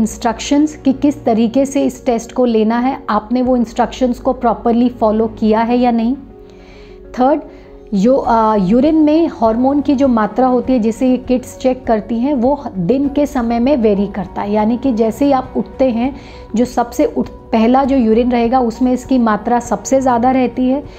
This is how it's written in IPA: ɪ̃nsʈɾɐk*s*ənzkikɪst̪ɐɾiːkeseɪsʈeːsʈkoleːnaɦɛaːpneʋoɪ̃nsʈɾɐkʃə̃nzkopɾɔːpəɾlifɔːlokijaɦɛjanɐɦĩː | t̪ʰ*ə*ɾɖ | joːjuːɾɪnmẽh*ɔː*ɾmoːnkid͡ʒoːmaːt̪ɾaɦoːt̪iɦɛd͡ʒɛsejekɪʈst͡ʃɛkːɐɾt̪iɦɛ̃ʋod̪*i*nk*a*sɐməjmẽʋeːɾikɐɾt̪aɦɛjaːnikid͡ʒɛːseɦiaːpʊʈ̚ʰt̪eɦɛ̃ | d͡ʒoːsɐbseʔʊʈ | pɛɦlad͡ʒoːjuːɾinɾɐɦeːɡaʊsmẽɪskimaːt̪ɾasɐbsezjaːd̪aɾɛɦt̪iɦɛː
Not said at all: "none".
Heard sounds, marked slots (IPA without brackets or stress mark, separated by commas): ʃ, əː, ɔː, ɪ, e